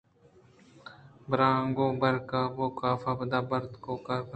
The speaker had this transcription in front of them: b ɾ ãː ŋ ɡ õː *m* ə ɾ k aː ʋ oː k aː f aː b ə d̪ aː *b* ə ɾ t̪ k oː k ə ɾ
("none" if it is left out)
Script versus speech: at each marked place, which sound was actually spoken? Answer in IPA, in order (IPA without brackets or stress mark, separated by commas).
b, b